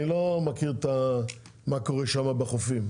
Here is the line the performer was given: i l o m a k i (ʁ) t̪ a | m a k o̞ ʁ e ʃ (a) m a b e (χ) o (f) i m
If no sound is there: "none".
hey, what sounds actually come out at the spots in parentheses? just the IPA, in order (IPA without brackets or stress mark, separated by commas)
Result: ʁ, a, χ, f